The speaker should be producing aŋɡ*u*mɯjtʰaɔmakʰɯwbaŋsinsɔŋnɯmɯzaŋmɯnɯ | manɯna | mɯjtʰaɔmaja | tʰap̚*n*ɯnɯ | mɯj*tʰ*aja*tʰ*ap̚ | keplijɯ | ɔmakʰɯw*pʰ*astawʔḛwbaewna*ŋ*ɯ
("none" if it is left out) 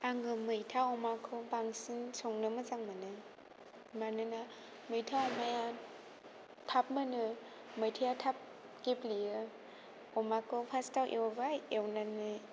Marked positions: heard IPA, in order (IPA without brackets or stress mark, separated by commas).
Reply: ɯ, m, tʰ, tʰ, pʰ, n